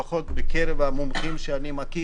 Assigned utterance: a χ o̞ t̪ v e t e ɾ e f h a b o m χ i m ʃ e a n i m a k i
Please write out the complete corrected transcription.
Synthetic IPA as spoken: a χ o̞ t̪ b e k e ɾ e v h a m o m χ i m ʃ e a n i m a k i